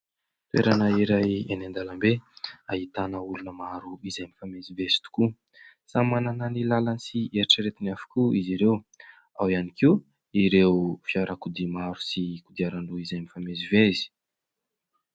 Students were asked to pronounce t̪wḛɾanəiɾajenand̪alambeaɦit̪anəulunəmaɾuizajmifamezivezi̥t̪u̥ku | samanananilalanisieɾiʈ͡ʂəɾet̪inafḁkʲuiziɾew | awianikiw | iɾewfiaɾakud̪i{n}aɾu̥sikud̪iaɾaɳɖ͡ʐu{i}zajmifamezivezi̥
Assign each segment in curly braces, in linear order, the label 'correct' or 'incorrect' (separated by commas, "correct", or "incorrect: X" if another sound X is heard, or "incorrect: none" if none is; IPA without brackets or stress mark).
incorrect: m, correct